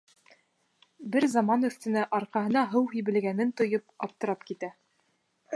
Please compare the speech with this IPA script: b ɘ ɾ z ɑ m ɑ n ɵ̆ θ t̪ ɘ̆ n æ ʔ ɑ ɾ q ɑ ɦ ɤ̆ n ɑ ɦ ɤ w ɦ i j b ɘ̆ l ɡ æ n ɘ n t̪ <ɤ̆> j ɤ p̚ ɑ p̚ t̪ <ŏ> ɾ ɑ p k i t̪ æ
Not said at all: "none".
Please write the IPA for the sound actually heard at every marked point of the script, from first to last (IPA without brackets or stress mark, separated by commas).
ŏ, ɤ̆